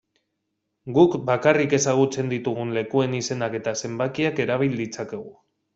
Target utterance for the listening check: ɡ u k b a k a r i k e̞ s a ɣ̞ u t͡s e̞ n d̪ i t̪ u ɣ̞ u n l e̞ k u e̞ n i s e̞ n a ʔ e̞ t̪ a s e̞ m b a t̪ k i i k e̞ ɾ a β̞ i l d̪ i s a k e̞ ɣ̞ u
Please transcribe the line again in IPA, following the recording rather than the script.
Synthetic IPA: ɡ u k b a k a r i k e̞ s a ɣ̞ u t͡s e̞ n d̪ i t̪ u ɣ̞ u n l e̞ k u e̞ n i s e̞ n a k e̞ t̪ a s e̞ m b a k i a k e̞ ɾ a β̞ i l d̪ i t͡s a k e̞ ɣ̞ u